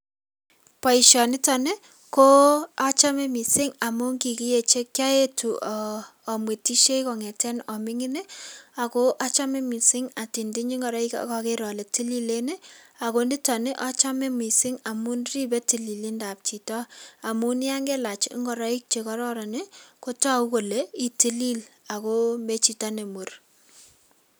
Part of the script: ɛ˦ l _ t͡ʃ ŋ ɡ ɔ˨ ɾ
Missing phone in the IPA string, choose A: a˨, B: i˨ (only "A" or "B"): A